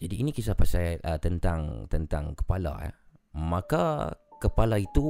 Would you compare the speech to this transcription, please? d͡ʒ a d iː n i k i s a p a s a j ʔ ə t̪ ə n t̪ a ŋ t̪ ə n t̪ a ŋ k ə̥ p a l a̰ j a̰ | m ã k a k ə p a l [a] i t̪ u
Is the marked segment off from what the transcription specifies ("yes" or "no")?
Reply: no